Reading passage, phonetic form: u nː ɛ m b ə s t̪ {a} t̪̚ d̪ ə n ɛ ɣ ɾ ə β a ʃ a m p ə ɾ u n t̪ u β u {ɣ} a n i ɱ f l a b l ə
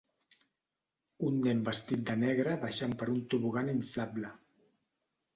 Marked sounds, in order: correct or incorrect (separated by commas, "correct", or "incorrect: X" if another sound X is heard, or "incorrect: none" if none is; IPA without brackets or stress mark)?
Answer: incorrect: i, correct